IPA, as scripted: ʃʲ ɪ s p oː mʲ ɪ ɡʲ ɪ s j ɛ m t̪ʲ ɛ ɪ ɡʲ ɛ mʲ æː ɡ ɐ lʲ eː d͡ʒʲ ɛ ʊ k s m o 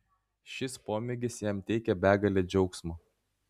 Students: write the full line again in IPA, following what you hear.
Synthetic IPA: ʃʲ ɪ s p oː mʲ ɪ ɡʲ ɪ s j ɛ m t̪ʲ ɛ ɪ kʲ ɛ bʲ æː ɡ ɐ lʲ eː d͡ʒʲ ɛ ʊ k s m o